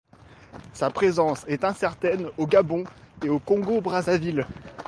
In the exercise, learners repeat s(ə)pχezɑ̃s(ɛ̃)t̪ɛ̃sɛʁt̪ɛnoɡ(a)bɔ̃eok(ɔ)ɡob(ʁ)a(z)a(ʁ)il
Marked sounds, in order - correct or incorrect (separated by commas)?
incorrect, incorrect, correct, incorrect, correct, correct, incorrect